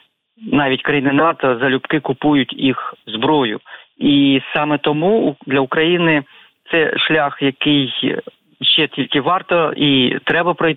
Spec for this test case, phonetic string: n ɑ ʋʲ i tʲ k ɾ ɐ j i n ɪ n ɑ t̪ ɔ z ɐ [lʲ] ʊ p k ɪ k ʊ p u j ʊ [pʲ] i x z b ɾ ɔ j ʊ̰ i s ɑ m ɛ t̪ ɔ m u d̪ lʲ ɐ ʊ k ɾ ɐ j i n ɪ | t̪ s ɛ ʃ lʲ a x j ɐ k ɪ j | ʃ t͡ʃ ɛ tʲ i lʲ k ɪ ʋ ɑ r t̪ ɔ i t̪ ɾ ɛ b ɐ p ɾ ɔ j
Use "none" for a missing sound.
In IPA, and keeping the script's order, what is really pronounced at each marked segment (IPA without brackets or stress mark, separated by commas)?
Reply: lʲ, tʲ